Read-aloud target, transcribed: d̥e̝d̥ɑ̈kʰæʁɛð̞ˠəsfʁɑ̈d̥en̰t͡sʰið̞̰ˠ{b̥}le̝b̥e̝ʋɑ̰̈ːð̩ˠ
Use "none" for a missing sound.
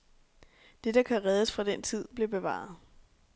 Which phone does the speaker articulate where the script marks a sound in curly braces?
b̥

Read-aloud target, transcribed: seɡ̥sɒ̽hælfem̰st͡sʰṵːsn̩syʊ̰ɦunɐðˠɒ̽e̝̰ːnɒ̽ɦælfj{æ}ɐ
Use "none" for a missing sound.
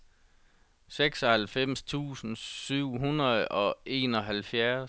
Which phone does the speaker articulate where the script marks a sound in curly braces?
æ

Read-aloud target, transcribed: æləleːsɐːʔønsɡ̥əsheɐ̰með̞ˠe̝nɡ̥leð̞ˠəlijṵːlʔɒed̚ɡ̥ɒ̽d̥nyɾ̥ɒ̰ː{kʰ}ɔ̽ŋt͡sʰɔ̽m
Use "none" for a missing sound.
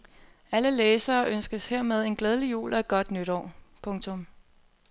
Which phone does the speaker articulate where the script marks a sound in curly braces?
pʰ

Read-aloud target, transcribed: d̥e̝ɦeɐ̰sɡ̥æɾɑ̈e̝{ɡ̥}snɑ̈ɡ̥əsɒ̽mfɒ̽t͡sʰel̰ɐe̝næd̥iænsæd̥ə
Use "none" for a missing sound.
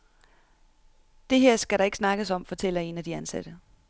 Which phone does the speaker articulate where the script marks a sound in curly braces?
ɡ̥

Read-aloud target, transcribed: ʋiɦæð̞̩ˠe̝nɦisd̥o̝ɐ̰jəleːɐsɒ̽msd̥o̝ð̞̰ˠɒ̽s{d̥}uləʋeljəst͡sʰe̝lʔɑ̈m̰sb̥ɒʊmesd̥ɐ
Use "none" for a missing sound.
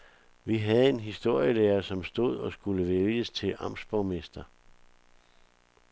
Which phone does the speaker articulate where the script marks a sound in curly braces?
ɡ̥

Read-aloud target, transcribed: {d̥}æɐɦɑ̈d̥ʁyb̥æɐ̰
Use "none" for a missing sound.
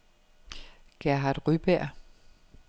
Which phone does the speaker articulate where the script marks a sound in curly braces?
ɡ̥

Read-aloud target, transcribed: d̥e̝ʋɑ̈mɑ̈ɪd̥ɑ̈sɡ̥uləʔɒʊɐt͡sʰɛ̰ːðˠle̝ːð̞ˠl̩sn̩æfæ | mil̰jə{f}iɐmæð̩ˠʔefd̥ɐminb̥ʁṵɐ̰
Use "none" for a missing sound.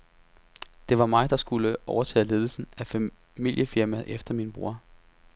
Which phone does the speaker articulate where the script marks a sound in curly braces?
f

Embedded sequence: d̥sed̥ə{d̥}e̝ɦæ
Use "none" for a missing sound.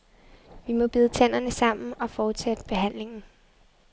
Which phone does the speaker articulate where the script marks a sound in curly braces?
b̥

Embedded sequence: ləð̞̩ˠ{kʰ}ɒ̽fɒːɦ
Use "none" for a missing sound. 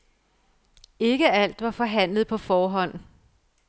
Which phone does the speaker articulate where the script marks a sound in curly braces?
pʰ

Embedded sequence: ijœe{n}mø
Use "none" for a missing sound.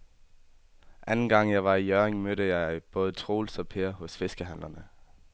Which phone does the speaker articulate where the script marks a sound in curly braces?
ŋ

